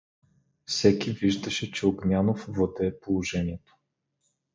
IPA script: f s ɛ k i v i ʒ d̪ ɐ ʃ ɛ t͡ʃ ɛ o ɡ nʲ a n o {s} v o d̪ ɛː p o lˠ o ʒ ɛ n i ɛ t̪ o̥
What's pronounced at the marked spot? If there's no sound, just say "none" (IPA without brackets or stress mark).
f